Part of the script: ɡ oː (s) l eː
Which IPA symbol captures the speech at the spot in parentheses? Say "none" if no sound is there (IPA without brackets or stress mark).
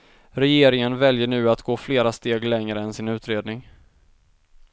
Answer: f